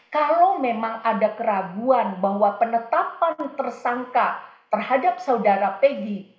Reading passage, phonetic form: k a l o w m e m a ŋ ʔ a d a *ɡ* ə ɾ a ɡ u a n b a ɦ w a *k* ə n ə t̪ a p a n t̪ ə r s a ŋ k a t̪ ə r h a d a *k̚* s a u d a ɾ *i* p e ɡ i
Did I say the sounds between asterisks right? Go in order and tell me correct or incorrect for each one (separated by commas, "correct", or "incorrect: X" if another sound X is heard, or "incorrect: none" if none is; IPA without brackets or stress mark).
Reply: incorrect: k, incorrect: p, incorrect: p̚, incorrect: a